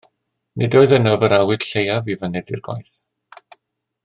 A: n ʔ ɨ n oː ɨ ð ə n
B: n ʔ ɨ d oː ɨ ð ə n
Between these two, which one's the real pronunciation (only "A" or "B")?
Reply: B